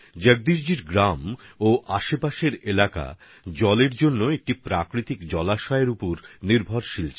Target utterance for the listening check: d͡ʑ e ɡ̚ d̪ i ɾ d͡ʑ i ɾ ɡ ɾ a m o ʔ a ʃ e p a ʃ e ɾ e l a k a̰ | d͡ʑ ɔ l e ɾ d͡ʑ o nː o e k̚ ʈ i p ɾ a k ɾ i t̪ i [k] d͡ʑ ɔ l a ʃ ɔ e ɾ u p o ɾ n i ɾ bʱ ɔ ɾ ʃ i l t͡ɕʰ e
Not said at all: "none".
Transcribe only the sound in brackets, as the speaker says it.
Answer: k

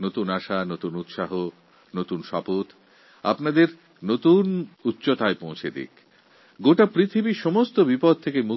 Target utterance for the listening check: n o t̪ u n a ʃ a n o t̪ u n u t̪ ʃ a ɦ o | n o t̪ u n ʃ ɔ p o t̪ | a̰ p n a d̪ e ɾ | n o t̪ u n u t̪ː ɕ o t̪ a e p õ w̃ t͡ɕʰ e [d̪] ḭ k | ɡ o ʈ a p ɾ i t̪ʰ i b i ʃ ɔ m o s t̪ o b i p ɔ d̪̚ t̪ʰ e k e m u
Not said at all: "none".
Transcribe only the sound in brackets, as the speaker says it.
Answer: d̪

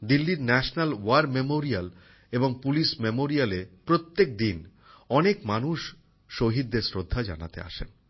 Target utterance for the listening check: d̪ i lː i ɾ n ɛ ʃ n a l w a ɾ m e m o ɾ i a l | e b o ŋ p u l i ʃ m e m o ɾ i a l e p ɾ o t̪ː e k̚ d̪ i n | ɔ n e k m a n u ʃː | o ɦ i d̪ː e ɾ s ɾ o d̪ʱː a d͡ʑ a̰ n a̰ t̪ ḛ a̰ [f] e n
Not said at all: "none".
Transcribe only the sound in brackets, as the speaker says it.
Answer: ʃ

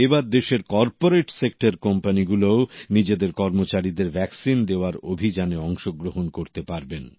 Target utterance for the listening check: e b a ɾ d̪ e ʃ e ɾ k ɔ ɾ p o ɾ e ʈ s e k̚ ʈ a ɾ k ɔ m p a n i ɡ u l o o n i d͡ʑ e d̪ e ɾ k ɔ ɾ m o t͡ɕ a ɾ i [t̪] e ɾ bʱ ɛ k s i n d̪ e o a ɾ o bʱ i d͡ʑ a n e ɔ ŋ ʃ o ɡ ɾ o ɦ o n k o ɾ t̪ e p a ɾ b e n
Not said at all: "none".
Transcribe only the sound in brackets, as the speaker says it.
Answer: d̪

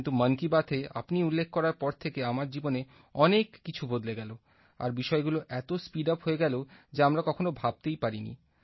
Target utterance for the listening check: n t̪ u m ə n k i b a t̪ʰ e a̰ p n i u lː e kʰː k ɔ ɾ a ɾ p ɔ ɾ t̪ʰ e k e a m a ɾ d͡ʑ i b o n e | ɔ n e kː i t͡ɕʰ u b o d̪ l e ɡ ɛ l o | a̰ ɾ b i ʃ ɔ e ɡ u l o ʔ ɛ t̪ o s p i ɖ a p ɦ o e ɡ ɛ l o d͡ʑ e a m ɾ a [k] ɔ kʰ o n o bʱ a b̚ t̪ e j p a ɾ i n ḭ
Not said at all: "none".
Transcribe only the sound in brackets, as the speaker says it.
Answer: k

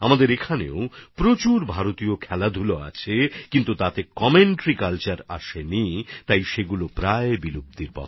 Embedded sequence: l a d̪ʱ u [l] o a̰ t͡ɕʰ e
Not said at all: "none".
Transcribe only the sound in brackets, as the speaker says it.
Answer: l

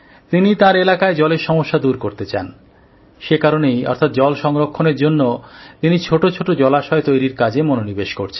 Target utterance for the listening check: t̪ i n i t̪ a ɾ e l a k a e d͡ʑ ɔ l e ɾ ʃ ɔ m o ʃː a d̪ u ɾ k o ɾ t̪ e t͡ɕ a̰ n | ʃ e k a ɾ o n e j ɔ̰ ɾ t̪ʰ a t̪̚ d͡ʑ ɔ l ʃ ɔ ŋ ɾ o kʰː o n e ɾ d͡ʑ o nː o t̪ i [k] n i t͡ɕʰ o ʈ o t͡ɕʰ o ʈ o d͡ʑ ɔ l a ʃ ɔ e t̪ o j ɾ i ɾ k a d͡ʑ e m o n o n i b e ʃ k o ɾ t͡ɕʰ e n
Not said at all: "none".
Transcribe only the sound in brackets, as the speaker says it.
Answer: none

